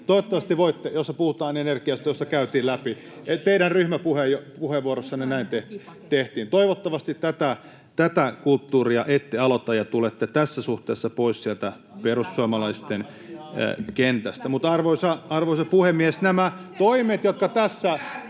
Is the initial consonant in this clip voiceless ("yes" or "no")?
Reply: yes